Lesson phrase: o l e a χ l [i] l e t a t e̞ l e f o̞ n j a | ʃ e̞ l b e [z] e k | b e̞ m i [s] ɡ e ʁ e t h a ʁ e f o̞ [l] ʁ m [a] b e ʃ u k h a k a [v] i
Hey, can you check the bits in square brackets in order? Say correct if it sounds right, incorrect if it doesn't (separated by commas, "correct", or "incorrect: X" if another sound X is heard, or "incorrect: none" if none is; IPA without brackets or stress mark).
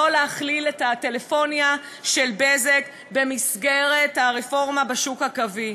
correct, correct, correct, incorrect: none, correct, correct